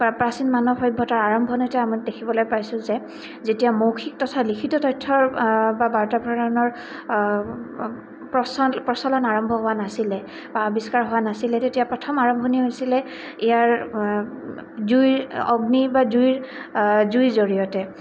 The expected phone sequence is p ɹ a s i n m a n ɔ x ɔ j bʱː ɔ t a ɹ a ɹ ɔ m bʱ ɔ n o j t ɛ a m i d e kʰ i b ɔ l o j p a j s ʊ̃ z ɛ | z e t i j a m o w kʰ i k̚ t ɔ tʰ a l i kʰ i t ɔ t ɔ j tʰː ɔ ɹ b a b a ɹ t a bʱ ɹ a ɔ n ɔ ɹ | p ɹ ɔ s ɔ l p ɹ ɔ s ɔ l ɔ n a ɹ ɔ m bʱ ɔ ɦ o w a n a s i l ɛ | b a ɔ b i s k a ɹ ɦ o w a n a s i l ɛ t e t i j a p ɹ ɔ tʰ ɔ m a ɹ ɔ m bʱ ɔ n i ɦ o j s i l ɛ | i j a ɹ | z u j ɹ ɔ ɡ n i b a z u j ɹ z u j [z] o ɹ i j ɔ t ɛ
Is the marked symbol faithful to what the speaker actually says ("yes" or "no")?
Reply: yes